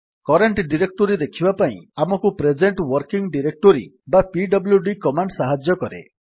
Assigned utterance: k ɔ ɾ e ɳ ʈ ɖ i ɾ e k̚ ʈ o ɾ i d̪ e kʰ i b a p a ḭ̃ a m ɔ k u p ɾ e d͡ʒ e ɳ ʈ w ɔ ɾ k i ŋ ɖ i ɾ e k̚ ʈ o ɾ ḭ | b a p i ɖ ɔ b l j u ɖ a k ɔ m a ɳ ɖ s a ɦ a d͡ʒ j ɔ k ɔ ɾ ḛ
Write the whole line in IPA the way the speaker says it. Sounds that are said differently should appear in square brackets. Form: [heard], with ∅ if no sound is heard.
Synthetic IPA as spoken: k ɔ ɾ e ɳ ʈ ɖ i ɾ e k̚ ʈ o ɾ i d̪ e kʰ i b a p a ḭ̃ a m ɔ k u p ɾ e d͡ʒ e ɳ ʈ w ɔ ɾ k i ŋ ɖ i ɾ e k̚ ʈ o ɾ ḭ | b a p i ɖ ɔ b l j u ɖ [i] k ɔ m a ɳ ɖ s a ɦ a d͡ʒ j ɔ k ɔ ɾ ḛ